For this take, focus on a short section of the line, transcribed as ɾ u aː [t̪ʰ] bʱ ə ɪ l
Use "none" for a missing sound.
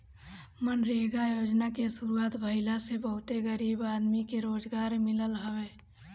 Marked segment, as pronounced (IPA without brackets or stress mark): t̪